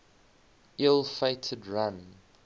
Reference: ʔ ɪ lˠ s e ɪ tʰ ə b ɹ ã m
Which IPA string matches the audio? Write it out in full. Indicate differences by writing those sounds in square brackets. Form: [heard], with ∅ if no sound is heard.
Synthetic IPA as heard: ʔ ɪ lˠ [f] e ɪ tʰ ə [d] ɹ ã [n]